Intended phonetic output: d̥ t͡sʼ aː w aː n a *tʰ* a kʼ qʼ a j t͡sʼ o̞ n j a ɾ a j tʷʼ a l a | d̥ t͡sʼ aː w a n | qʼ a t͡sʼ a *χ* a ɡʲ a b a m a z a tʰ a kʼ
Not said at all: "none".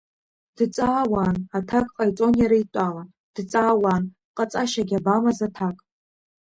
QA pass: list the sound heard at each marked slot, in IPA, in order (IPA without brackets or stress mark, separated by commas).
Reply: tʰ, ʃ